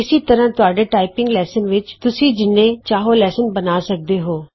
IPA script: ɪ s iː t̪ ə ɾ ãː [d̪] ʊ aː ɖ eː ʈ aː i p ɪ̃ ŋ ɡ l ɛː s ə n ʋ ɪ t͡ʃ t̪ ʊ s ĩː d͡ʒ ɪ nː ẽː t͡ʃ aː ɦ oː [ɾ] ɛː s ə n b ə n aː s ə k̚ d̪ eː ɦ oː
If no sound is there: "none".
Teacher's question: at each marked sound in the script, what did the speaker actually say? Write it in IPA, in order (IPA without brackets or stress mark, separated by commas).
t̪, l